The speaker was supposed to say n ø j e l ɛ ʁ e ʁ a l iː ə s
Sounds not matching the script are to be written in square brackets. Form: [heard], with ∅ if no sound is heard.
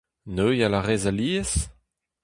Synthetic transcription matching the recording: n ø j [a] l [a] ʁ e [z] a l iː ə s